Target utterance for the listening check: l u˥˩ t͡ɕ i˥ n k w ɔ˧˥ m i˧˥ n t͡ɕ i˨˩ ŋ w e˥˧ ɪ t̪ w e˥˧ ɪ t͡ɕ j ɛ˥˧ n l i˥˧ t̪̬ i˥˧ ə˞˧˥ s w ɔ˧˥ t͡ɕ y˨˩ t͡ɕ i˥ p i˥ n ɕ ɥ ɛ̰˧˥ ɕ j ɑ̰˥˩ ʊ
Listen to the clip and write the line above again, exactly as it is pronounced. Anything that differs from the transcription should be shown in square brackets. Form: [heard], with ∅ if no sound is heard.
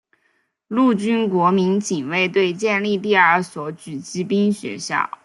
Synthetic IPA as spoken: l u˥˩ t͡ɕ [y˥] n k w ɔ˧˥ m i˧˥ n t͡ɕ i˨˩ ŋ w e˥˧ ɪ t̪ w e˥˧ ɪ t͡ɕ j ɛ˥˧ n l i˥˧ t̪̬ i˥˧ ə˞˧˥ s w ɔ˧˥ t͡ɕ y˨˩ t͡ɕ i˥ p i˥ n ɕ ɥ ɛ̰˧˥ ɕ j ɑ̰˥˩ ʊ